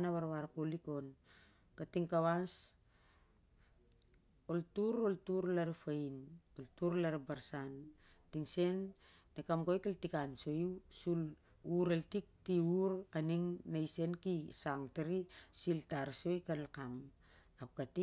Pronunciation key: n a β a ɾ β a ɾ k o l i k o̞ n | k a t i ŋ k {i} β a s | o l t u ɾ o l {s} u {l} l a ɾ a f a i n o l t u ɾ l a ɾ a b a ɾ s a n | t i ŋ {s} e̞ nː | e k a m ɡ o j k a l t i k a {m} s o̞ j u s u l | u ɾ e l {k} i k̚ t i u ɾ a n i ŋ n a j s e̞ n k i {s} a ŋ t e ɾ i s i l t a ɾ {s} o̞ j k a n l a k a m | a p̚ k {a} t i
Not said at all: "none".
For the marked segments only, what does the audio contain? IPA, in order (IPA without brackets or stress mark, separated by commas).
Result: a, t, ɾ, s, n, t, s, s, a